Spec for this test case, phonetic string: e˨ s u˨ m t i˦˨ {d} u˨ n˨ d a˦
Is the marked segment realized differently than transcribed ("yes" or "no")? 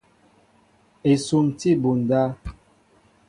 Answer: yes